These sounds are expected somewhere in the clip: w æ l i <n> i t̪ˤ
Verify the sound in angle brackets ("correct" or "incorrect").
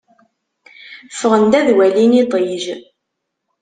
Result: correct